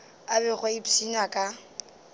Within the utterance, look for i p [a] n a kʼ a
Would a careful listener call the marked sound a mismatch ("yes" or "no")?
yes